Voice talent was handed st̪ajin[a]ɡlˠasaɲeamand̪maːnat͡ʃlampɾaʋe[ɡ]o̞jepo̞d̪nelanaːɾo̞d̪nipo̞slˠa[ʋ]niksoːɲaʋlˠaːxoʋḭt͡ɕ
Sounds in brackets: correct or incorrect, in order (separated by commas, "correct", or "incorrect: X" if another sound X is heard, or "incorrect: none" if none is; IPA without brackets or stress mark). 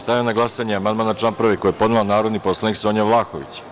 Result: correct, incorrect: k, incorrect: none